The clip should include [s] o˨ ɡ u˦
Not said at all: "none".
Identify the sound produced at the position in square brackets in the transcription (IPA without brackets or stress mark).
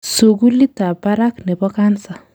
s